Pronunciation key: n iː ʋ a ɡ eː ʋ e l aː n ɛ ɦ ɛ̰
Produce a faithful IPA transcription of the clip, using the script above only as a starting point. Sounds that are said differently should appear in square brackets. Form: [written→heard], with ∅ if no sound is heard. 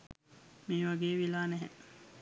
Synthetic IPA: [n→m] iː ʋ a ɡ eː ʋ [e→i] l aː n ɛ ɦ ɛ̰